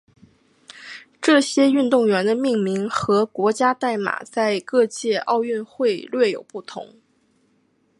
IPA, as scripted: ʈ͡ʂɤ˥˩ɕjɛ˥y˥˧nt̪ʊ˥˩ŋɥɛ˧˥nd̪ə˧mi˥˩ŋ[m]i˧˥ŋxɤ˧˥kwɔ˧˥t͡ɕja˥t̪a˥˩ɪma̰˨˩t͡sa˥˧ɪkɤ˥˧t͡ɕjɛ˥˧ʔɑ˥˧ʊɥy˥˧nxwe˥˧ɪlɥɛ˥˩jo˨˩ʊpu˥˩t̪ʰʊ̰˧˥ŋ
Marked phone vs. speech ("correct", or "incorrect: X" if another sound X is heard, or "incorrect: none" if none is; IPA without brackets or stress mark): correct